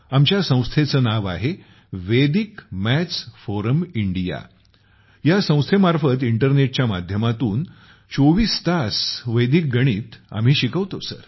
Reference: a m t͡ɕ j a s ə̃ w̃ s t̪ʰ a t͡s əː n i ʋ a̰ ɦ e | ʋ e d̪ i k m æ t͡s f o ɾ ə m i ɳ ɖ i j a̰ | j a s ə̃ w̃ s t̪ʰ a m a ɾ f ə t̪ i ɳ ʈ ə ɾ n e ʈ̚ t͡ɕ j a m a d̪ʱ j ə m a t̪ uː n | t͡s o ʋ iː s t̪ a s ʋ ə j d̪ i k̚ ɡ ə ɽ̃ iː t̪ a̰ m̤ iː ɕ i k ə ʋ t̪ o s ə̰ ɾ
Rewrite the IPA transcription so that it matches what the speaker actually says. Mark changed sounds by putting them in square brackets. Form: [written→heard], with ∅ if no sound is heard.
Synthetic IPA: a m t͡ɕ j a s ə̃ w̃ s t̪ʰ [a→e] t͡s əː n [i→a] ʋ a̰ ɦ e | ʋ e d̪ i k m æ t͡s f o ɾ ə m i ɳ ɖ i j a̰ | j a s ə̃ w̃ s t̪ʰ [a→e] m a ɾ f ə t̪ i ɳ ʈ ə ɾ n e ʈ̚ t͡ɕ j a m a d̪ʱ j ə m a t̪ uː n | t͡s o ʋ iː s t̪ a s ʋ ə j d̪ i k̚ ɡ ə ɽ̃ iː t̪ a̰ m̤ iː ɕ i k ə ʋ t̪ o s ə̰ ɾ

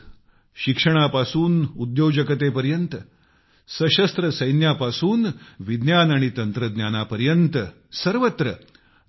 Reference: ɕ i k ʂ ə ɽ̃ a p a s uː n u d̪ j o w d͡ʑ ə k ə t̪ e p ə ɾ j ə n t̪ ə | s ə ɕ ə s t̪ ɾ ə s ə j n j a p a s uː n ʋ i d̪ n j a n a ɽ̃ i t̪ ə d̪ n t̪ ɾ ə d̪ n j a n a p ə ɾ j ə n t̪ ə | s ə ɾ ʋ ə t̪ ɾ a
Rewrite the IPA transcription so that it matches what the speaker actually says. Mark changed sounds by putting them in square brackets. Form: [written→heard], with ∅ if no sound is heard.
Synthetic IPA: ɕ i k ʂ ə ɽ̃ a p a s uː n u d̪ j o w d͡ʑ ə k ə t̪ e p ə ɾ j ə n t̪ ə | s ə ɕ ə s t̪ ɾ ə s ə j n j a p a s uː n ʋ i d̪ n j a n a ɽ̃ i t̪ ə [d̪→∅] n t̪ ɾ ə d̪ n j a n a p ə ɾ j ə n t̪ ə | s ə ɾ ʋ ə t̪ ɾ [a→ə]

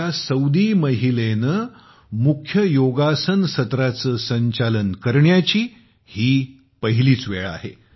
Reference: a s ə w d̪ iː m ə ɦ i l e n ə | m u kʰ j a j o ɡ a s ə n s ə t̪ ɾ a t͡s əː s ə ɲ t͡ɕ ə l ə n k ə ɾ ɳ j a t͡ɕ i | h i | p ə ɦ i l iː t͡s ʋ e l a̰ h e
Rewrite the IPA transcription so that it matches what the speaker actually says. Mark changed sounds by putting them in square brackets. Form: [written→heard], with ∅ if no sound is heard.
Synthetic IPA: a s ə w d̪ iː m ə ɦ i l e n ə | m u kʰ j [a→ə] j o ɡ a s ə n s ə t̪ ɾ a t͡s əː s ə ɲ t͡ɕ [ə→a] l ə n k ə ɾ ɳ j a t͡ɕ [i→iː] | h [i→iː] | p ə ɦ i l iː t͡s ʋ e [l→ɭ] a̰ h e

